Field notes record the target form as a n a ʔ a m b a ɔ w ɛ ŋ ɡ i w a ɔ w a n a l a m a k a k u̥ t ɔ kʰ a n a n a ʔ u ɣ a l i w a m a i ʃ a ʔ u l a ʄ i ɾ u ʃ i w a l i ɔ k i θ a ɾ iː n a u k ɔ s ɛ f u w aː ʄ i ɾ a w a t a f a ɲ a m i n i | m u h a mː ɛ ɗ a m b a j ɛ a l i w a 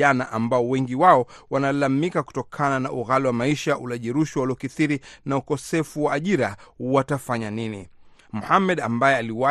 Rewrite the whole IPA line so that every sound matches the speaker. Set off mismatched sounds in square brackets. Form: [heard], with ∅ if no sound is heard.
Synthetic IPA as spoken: a n a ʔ a m b a ɔ w ɛ ŋ ɡ i w a ɔ w a n a l a m [i] k a k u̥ t ɔ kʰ a n a n a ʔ u ɣ a l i w a m a i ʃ a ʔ u l a ʄ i ɾ u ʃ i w a l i ɔ k i θ [i] ɾ [i] n a u k ɔ s ɛ f u w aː ʄ i ɾ a w a t a f a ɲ a [n] i n i | m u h a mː ɛ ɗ a m b a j ɛ a l i w a